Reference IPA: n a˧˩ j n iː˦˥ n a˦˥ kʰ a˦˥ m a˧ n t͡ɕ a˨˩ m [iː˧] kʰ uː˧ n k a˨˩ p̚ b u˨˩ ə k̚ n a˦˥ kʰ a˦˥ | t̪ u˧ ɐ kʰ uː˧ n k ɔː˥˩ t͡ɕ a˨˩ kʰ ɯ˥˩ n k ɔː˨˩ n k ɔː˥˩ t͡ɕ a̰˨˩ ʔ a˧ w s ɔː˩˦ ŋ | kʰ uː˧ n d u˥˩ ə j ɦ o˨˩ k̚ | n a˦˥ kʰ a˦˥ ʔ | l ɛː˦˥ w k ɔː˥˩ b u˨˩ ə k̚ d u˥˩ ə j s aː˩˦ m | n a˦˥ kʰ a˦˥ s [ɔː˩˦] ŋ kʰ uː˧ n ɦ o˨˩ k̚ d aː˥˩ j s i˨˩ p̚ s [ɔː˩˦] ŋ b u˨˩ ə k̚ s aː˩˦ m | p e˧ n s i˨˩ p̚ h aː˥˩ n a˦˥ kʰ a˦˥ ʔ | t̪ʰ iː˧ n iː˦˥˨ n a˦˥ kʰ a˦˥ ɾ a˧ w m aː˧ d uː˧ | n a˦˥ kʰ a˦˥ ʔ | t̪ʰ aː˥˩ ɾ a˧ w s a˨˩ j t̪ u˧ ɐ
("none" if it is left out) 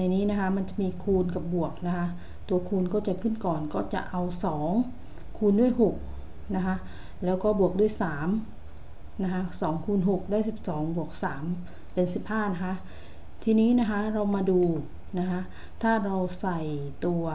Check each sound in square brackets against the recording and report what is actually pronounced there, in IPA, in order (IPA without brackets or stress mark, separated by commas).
iː˧, ɔː˩˦, ɔː˩˦